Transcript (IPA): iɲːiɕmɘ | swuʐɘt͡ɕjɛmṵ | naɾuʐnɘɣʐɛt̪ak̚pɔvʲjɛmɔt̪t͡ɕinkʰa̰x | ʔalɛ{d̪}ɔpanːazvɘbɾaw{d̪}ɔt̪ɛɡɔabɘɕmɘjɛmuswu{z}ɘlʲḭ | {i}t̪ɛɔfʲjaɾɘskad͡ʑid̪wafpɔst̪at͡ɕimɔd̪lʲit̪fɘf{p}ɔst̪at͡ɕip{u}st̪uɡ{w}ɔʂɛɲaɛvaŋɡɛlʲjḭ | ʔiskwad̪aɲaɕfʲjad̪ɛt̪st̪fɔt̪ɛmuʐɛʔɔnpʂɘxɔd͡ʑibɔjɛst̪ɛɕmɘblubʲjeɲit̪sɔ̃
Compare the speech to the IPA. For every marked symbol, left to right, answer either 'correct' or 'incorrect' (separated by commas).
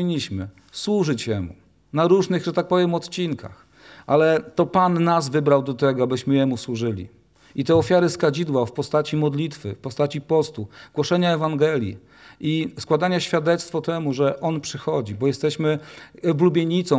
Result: incorrect, correct, incorrect, correct, correct, incorrect, correct